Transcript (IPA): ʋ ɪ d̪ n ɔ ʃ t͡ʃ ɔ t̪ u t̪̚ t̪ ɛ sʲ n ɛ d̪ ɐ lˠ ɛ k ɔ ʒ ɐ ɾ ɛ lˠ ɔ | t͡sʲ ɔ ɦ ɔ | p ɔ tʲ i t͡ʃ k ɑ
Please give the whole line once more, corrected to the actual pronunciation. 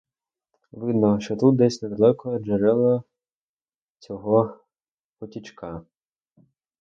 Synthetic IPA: ʋ ɪ d̪ n ɔ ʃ t͡ʃ ɔ t̪ u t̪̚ d̪ ɛ sʲ n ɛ d̪ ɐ lˠ ɛ k ɔ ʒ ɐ ɾ ɛ lˠ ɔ | t͡sʲ ɔ ɦ ɔ | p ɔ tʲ i t͡ʃ k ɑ